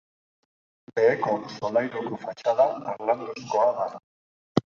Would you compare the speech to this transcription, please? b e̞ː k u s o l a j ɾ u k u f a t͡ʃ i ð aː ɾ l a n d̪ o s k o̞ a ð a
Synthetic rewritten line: b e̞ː k o s o l a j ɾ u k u f a t͡ʃ a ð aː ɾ l a n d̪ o s k o̞ a ð a